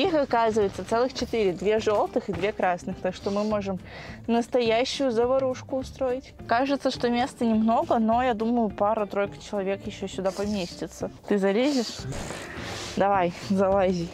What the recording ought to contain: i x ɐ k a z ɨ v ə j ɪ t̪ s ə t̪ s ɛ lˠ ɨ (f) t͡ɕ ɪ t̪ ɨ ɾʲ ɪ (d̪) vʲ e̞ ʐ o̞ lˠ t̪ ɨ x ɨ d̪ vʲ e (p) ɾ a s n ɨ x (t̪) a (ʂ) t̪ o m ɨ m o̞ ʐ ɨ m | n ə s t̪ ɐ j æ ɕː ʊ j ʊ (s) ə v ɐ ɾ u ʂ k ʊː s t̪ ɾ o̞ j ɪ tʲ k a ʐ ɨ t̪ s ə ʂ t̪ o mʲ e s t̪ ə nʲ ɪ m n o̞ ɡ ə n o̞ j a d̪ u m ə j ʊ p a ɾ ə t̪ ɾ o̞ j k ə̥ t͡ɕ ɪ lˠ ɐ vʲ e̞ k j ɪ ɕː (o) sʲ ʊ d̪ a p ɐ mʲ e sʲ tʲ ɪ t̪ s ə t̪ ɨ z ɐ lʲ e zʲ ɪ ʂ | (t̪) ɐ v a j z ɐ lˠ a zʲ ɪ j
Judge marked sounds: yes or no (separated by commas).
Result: no, yes, no, yes, yes, no, yes, no